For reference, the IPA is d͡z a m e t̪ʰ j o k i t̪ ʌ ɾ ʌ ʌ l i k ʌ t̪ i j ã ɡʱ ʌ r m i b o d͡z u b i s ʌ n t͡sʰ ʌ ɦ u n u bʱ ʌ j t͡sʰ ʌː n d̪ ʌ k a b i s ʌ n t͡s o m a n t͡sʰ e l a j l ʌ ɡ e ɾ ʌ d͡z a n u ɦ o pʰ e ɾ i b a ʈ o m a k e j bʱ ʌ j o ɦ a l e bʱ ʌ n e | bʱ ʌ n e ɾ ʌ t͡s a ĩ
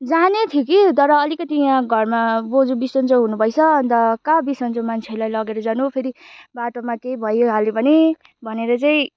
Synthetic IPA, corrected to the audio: d͡z a n e t̪ʰ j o k i t̪ ʌ ɾ ʌ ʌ l i k ʌ t̪ i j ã ɡʱ ʌ r m a b o d͡z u b i s ʌ n t͡s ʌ ɦ u n u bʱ ʌ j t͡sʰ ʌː n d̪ ʌ k a b i s ʌ n t͡s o m a n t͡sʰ e l a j l ʌ ɡ e ɾ ʌ d͡z a n u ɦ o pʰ e ɾ i b a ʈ o m a k e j bʱ ʌ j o ɦ a l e bʱ ʌ n e | bʱ ʌ n e ɾ ʌ t͡s a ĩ